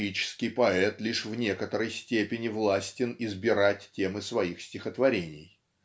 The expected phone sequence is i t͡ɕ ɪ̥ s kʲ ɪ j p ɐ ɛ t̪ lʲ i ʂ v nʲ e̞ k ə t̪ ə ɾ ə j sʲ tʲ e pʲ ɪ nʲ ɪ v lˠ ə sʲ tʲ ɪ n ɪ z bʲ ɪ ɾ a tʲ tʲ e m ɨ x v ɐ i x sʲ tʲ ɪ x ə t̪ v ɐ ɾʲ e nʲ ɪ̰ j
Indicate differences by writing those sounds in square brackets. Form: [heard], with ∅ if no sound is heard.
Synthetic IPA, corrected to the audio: i t͡ɕ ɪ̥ s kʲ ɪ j p ɐ ɛ t̪ lʲ i ʂ v nʲ e̞ k ə t̪ ə ɾ ə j sʲ tʲ e pʲ ɪ nʲ ɪ v lˠ [a] sʲ tʲ ɪ n ɪ z bʲ ɪ ɾ a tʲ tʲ e m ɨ [s] v ɐ i x sʲ tʲ ɪ x ə t̪ v ɐ ɾʲ e nʲ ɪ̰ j